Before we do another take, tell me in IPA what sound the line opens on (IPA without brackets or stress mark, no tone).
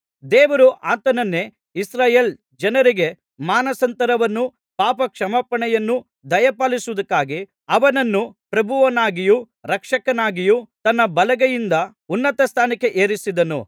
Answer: d̪